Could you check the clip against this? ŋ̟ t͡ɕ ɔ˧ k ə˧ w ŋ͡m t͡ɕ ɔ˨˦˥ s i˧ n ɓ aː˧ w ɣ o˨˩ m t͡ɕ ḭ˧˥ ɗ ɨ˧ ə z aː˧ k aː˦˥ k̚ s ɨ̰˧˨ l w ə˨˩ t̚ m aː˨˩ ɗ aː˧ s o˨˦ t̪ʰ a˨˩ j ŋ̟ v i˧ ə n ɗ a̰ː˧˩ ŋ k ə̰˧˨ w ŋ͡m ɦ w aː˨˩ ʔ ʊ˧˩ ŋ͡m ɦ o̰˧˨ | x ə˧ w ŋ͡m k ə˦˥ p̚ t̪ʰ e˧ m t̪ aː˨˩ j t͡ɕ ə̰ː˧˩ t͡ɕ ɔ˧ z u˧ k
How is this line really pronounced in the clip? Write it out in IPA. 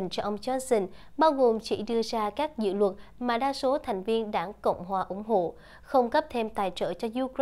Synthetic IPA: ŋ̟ t͡ɕ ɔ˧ ʔ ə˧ w ŋ͡m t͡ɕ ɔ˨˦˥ s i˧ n ɓ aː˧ w ɣ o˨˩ m t͡ɕ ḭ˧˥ ɗ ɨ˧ ə z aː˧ k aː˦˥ k̚ z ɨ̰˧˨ l w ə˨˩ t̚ m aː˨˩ ɗ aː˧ s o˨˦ t̪ʰ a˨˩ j ŋ̟ v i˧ ə n ɗ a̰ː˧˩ ŋ k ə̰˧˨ w ŋ͡m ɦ w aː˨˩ ʔ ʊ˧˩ ŋ͡m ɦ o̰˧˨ | x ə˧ w ŋ͡m k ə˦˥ p̚ t̪ʰ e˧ m t̪ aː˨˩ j t͡ɕ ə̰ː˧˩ t͡ɕ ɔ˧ z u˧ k